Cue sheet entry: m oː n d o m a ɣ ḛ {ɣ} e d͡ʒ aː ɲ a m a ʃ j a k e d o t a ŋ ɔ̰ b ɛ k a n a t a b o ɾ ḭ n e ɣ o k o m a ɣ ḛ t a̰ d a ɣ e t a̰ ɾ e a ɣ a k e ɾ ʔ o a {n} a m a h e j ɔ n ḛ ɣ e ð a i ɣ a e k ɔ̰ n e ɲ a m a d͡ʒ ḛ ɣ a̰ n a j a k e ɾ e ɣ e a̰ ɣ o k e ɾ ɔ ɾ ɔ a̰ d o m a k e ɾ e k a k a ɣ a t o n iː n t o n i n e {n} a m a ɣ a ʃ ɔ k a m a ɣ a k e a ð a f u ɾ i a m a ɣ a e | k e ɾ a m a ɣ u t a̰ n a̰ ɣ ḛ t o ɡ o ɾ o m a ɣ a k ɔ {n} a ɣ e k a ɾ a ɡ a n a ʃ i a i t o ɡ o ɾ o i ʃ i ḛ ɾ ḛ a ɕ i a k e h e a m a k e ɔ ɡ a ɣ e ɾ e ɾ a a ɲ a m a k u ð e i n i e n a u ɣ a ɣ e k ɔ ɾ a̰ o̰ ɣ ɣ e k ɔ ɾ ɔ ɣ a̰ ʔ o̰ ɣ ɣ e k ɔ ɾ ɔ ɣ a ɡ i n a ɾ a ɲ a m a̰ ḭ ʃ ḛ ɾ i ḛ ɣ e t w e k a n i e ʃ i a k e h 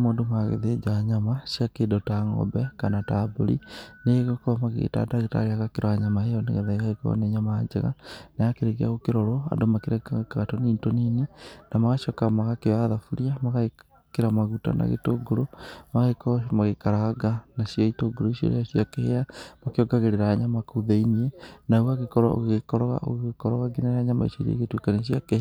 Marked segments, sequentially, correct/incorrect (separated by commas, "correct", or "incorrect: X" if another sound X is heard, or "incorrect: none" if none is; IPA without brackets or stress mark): incorrect: ð, incorrect: ɲ, correct, incorrect: m